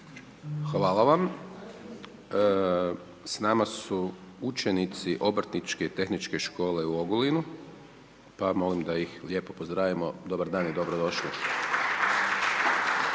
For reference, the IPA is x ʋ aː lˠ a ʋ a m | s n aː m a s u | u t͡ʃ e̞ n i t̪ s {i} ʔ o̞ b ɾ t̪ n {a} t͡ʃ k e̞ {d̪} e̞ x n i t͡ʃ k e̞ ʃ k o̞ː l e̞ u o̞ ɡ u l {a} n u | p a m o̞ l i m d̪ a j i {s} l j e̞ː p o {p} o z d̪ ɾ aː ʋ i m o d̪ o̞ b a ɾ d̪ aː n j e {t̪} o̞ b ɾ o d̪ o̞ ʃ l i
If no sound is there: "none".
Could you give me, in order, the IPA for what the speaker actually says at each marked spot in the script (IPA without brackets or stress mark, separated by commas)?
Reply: i, i, t̪, i, x, p, d̪